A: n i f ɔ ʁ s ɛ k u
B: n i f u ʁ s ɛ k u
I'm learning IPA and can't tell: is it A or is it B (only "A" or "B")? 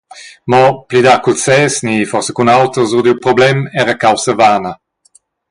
A